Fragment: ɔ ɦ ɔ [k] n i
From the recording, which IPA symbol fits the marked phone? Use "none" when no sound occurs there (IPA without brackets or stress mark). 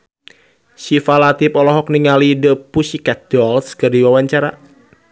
k